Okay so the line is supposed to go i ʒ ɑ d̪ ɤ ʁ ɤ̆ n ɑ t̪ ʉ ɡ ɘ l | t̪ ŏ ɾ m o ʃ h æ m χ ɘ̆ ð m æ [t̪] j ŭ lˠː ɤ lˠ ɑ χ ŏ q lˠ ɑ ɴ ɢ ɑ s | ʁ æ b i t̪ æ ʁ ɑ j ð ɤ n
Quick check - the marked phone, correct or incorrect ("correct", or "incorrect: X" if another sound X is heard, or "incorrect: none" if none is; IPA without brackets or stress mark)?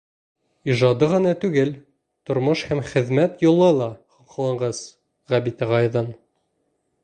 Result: correct